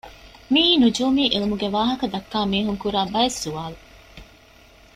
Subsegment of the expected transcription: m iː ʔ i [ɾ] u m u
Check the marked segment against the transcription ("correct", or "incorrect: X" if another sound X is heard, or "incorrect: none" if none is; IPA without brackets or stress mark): incorrect: l